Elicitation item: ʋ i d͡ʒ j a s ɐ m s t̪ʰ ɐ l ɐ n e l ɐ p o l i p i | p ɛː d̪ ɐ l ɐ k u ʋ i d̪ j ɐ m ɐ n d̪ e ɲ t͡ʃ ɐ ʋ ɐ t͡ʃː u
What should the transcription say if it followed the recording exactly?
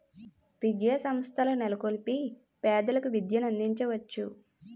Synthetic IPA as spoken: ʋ i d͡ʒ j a s ɐ m s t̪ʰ ɐ l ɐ n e l ɐ k o l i p i | p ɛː d̪ ɐ l ɐ k u ʋ i d̪ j ɐ n ɐ n d̪ i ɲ t͡ʃ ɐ ʋ ɐ t͡ʃː u

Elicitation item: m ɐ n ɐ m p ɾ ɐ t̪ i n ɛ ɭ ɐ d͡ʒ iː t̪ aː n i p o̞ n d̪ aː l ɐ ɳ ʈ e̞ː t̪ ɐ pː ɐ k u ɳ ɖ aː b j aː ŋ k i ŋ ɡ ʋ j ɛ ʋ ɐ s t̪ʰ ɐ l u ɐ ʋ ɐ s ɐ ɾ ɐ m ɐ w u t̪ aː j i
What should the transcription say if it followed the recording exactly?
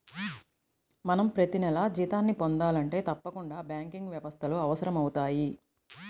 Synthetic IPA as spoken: m ɐ n ɐ m p ɾ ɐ t̪ i n ɛ l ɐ d͡ʒ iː t̪ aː nː i p o̞ n d̪ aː l ɐ ɳ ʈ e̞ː t̪ ɐ pː ɐ k u ɳ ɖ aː b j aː ŋ k i ŋ ɡ ʋ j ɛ ʋ ɐ s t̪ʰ ɐ l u ɐ ʋ ɐ s ɐ ɾ ɐ m ɐ w u t̪ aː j i

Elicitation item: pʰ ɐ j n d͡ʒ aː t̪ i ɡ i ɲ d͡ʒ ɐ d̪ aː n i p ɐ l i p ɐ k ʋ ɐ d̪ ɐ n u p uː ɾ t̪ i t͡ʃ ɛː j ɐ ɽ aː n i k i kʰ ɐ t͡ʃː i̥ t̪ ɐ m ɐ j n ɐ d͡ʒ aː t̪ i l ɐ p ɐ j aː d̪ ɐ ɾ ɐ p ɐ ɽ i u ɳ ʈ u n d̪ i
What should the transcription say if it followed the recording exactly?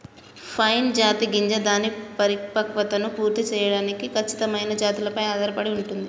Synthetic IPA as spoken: pʰ ɐ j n d͡ʒ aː t̪ i ɡ i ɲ d͡ʒ ɐ d̪ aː n i p ɐ ɾ i p ɐ k ʋ ɐ t̪ ɐ n u p uː ɾ t̪ i t͡ʃ ɛː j ɐ ɽ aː n i k i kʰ ɐ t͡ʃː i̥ t̪ ɐ m ɐ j n ɐ d͡ʒ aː t̪ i l ɐ p ɐ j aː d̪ ɐ ɾ ɐ p ɐ ɽ i u ɳ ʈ u n d̪ i

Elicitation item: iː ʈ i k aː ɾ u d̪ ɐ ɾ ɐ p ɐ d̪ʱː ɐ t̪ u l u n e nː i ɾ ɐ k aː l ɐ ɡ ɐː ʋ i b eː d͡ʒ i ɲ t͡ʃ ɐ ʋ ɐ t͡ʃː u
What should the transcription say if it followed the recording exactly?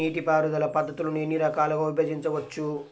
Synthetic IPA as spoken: iː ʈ i p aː ɾ u d̪ ɐ l ɐ p ɐ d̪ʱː ɐ t̪ u l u n e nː i ɾ ɐ k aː l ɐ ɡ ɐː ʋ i b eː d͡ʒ i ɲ t͡ʃ ɐ ʋ ɐ t͡ʃː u

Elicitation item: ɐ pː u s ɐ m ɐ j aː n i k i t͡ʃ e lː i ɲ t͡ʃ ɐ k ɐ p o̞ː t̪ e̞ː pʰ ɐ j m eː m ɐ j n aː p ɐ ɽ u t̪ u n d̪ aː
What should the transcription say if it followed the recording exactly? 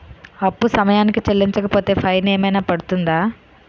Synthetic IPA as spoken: ɐ pː u s ɐ m ɐ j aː n i k i t͡ʃ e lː i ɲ t͡ʃ ɐ k ɐ p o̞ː t̪ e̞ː pʰ ɐ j n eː m ɐ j n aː p ɐ ɽ u t̪ u n d̪ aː

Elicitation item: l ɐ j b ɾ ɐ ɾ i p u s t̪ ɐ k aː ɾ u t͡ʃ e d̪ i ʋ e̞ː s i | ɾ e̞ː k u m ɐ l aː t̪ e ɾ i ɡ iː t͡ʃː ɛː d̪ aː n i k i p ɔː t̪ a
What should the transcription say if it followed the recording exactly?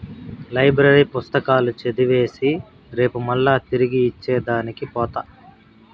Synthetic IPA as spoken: l ɐ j b ɾ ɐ ɾ i p u s t̪ ɐ k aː l u t͡ʃ e d̪ i ʋ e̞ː s i | ɾ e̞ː p u m ɐ lː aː t̪ i ɾ i ɡ iː t͡ʃː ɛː d̪ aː n i k i p ɔː t̪ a

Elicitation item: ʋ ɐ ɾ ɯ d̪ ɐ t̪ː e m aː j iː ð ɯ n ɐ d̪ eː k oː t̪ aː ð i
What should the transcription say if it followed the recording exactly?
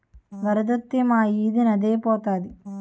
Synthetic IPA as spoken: ʋ ɐ ɾ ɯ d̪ ɐ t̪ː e m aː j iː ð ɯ n ɐ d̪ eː p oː t̪ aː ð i

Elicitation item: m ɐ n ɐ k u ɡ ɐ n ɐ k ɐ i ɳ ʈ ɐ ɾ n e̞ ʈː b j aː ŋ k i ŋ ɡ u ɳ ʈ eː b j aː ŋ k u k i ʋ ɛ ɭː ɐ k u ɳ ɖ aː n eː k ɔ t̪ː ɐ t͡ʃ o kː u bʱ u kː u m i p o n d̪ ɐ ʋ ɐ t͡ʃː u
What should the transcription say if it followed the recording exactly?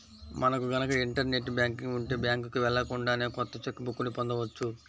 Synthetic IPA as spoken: m ɐ n ɐ k u ɡ ɐ n ɐ k ɐ i ɳ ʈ ɐ ɾ n e̞ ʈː b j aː ŋ k i ŋ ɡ u ɳ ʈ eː b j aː ŋ k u k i ʋ ɛ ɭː ɐ k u ɳ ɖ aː n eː k ɔ t̪ː ɐ t͡ʃ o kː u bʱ u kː u n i p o n d̪ ɐ ʋ ɐ t͡ʃː u

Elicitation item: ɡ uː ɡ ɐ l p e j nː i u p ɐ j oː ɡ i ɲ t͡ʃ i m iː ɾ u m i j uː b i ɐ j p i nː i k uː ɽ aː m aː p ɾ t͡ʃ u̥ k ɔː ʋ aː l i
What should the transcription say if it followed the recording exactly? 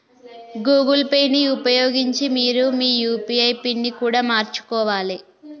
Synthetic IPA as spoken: ɡ uː ɡ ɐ l p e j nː i u p ɐ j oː ɡ i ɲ t͡ʃ i m iː ɾ u m iː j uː p i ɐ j p i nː i k uː ɽ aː m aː ɾ t͡ʃ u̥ k ɔː ʋ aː l i

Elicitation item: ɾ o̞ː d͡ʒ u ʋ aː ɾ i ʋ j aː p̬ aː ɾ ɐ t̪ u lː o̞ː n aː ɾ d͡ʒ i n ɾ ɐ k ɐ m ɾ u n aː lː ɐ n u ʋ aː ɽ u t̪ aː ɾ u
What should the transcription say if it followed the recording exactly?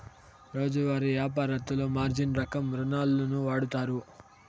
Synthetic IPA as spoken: ɾ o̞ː d͡ʒ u ʋ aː ɾ i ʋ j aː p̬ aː ɾ ɐ t̪ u l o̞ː m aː ɾ d͡ʒ i n ɾ ɐ k ɐ m ɾ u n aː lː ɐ n u ʋ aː ɽ u t̪ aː ɾ u

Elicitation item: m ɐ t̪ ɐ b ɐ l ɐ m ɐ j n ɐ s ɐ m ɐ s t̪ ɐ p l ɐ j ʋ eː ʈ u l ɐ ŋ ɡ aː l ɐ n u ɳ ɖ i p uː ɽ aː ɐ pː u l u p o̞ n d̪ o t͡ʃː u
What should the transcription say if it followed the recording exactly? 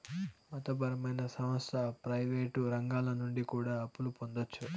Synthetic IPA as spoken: m ɐ t̪ ɐ b ɐ ɾ ɐ m ɐ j n ɐ s ɐ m ɐ s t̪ ɐ p ɾ ɐ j ʋ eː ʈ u ɾ ɐ ŋ ɡ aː l ɐ n u ɳ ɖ i k uː ɽ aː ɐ pː u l u p o̞ n d̪ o t͡ʃː u

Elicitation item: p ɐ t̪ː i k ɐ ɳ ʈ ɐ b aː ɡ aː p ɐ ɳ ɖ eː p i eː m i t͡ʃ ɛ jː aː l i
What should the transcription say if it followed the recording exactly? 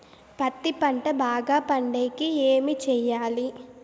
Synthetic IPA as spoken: p ɐ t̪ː i p ɐ ɳ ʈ ɐ b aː ɡ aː p ɐ ɳ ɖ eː k i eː m i t͡ʃ ɛ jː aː l i

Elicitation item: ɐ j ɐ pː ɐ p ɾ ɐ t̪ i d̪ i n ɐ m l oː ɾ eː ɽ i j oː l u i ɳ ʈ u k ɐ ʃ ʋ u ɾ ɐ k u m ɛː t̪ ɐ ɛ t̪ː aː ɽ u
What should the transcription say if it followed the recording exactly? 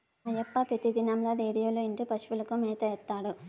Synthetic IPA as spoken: ɐ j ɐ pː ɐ p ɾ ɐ t̪ i d̪ i n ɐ m l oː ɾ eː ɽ i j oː l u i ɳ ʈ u p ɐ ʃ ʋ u l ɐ k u m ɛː t̪ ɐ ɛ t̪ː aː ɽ u

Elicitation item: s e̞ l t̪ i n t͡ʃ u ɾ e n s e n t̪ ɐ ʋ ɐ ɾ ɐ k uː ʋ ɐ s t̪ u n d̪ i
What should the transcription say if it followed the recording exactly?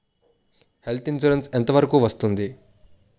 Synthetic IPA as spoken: h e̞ l t̪ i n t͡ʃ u ɾ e n s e n t̪ ɐ ʋ ɐ ɾ ɐ k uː ʋ ɐ s t̪ u n d̪ i

